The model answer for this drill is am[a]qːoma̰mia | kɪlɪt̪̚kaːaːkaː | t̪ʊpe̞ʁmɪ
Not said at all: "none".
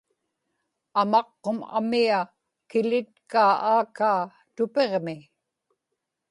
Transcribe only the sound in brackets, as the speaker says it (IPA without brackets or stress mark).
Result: ɑ